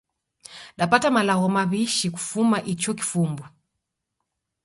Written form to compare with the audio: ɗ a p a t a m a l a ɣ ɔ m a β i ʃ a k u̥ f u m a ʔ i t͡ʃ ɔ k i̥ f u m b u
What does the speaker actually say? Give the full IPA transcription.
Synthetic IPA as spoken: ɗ a p a t a m a l a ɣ ɔ m a β i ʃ i k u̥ f u m a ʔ i t͡ʃ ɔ k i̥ f u m b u